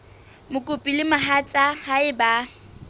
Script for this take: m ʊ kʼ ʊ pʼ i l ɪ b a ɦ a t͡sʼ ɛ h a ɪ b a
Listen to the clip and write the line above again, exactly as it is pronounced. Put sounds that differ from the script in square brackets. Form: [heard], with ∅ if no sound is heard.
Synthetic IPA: m ʊ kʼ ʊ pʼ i l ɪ [m] a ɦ a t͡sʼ [a] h a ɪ b a